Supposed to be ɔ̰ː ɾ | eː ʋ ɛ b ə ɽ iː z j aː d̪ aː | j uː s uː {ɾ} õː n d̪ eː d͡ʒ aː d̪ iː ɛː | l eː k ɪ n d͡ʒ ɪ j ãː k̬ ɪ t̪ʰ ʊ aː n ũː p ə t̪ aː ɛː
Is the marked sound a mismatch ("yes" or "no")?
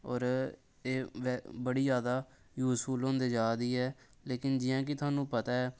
yes